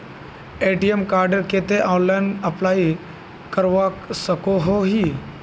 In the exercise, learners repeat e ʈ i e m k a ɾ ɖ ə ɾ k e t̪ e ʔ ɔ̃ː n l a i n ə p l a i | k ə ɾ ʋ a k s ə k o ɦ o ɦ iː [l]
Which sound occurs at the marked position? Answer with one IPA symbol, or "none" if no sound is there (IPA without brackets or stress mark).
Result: none